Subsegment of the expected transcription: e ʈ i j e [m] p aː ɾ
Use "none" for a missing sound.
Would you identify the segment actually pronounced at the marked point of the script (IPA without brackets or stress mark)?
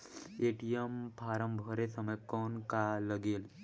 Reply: m